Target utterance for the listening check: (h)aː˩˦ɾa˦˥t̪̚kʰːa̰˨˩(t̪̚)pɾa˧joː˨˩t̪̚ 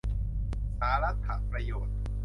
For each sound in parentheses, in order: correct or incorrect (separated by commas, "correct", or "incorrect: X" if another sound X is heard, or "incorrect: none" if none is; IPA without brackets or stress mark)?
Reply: incorrect: s, incorrect: none